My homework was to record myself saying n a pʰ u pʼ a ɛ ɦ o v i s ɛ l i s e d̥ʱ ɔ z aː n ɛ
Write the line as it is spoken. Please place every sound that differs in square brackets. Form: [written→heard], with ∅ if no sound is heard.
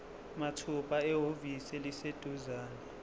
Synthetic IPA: [n→m] a [pʰ→tʰ] u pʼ a ɛ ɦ o v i s ɛ l i s e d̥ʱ [ɔ→u] z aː n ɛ